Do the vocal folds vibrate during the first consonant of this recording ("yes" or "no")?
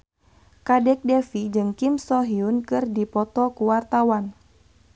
no